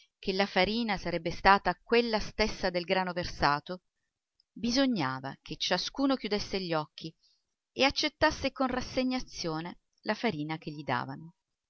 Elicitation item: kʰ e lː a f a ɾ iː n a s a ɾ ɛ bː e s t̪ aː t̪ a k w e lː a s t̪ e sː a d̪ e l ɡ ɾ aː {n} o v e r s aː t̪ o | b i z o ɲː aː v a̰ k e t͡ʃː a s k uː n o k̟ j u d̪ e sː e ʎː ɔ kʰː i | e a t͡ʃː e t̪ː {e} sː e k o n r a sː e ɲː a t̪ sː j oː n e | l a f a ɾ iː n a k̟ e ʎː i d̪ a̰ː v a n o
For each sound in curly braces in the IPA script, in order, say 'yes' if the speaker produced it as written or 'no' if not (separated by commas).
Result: yes, no